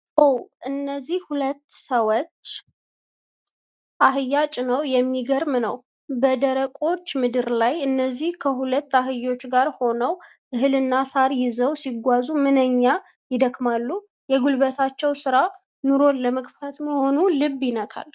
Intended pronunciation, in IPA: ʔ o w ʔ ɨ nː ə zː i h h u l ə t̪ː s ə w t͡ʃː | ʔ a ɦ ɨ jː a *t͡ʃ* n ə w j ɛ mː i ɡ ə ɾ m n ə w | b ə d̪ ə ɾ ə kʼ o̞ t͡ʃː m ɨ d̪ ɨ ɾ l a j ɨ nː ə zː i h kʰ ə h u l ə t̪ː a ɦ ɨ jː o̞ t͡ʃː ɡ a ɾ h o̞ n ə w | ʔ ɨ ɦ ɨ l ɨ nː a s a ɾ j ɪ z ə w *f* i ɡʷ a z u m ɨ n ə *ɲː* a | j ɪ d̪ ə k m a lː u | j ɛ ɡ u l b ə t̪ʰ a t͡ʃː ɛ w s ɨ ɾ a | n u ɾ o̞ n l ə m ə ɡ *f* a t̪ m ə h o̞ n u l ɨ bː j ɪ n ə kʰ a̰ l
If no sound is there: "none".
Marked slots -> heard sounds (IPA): t͡ʃʼ, s, ɲː, f

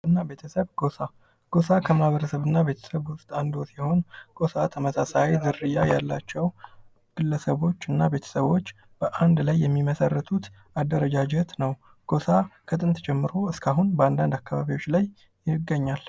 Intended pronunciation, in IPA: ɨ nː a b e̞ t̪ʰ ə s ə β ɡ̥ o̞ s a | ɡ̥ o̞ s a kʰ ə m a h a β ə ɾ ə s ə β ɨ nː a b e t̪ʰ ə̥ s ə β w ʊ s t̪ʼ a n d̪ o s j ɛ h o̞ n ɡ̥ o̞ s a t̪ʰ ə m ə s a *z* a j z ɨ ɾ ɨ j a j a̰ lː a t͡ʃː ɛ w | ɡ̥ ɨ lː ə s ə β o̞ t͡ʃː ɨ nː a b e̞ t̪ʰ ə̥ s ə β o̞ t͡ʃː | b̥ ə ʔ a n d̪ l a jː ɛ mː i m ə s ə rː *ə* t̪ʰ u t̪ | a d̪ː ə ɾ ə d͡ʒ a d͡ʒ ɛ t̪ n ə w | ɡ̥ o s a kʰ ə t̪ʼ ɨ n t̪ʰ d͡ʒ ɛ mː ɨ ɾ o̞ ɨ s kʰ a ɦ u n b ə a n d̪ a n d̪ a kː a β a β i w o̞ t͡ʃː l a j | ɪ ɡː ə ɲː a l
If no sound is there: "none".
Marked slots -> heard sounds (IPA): s, ə

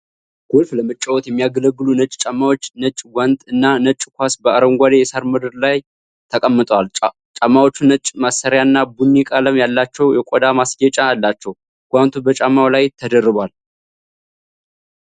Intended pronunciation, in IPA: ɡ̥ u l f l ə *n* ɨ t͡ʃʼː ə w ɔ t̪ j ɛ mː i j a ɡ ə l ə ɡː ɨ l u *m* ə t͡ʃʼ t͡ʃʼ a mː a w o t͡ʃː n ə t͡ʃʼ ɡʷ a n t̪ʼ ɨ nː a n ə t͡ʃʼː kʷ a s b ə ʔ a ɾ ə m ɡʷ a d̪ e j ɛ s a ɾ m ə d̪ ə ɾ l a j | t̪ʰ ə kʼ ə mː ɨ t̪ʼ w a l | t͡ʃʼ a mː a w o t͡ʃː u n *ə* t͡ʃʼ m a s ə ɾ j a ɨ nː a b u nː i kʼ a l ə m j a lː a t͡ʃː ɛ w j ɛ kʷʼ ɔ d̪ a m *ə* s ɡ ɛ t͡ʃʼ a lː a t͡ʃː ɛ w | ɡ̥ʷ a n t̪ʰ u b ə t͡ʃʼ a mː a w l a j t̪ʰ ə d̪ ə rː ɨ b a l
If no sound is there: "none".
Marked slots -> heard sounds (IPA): m, n, ə, a

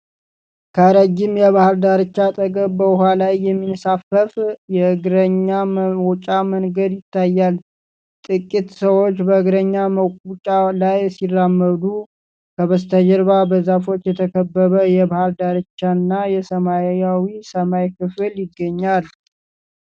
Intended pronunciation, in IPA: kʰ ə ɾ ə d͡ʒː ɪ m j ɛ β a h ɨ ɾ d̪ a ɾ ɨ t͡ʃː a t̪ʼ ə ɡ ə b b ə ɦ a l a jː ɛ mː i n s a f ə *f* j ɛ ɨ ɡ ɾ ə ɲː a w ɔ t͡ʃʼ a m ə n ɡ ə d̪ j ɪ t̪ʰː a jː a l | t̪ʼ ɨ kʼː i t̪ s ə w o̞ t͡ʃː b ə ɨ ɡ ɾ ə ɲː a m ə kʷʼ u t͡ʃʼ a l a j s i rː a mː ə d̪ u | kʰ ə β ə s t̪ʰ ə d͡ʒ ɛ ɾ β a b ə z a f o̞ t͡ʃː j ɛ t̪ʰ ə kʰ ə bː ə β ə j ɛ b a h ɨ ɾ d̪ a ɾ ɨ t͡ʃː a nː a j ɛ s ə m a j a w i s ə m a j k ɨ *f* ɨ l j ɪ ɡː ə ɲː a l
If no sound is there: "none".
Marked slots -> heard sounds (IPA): f, f

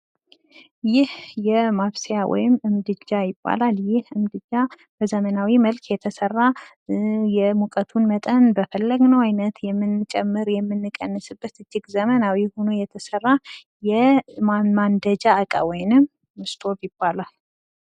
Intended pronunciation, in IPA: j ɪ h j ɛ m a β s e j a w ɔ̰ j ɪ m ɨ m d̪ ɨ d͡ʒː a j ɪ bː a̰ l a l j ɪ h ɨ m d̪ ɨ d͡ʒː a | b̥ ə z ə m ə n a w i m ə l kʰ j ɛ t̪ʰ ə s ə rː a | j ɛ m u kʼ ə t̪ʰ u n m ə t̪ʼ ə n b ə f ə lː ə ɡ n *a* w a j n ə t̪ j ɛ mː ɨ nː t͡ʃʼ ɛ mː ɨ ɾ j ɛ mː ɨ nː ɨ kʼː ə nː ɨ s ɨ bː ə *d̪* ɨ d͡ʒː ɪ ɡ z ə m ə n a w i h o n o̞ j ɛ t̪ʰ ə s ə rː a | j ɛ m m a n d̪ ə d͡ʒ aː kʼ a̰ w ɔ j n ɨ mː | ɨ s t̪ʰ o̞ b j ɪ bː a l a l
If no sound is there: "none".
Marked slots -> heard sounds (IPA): ə, t̪

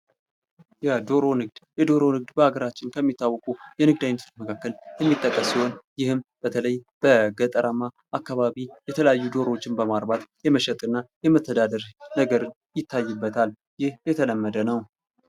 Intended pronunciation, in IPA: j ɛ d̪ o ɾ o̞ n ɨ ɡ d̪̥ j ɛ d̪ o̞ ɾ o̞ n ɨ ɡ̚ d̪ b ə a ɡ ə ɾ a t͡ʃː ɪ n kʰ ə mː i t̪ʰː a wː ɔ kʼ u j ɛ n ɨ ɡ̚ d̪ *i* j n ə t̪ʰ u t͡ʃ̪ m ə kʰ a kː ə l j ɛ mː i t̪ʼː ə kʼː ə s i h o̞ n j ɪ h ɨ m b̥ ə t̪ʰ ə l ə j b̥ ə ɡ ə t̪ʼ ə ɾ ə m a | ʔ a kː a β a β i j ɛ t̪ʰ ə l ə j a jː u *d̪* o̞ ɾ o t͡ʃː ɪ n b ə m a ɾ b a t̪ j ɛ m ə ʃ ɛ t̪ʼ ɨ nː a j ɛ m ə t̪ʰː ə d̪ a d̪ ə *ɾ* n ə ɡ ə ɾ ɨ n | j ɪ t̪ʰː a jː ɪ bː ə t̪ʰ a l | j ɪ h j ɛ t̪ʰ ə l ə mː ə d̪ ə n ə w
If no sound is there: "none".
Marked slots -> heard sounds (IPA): a, d̪, ɾ

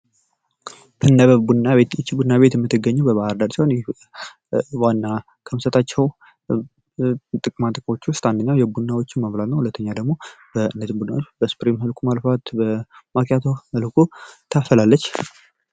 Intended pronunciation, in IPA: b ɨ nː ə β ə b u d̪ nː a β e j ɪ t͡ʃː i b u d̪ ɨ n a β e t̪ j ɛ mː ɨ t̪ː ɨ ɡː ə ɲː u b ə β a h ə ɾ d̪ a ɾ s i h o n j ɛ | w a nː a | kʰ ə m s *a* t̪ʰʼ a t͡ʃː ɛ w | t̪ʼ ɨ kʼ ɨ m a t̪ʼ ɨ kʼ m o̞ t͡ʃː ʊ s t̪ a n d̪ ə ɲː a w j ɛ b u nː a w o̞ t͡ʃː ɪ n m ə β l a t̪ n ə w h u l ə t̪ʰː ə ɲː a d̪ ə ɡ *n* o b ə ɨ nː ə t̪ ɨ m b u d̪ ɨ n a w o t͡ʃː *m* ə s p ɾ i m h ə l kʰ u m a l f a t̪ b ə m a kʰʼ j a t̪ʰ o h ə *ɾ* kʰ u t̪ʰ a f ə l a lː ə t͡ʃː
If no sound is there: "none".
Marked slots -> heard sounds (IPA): ə, m, b, l

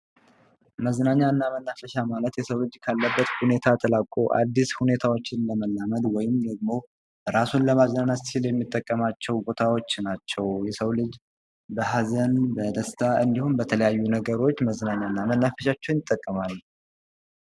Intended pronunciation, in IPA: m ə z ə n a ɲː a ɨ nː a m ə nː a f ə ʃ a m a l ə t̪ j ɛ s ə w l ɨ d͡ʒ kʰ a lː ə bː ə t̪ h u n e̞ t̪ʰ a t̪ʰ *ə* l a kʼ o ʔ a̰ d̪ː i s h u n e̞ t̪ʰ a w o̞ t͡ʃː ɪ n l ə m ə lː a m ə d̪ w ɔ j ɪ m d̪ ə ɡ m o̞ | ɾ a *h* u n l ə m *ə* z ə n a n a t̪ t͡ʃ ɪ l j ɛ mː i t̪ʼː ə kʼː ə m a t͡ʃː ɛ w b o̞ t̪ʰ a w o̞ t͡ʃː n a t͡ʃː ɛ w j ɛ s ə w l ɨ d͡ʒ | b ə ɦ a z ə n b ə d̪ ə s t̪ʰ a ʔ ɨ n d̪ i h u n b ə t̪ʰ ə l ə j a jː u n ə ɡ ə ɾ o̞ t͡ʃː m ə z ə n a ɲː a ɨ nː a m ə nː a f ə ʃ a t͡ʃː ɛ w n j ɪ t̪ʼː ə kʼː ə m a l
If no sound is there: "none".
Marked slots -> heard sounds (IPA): ə, s, a

